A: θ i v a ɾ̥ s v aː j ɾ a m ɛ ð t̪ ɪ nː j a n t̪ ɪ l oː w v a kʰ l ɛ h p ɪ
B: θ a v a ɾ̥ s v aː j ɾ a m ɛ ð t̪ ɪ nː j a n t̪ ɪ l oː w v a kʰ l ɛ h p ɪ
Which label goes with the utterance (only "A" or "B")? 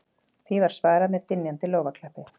A